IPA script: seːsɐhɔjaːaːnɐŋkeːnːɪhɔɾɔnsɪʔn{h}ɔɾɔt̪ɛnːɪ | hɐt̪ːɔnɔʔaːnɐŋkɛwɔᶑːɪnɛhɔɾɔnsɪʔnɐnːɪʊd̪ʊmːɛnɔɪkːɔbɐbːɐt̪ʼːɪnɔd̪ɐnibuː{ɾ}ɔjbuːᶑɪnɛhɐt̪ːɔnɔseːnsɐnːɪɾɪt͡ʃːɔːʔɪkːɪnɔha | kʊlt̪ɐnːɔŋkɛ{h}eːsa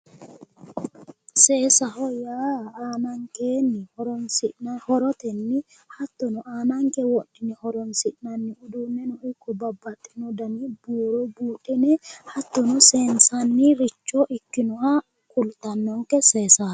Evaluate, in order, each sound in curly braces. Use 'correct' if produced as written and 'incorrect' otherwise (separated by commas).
correct, correct, incorrect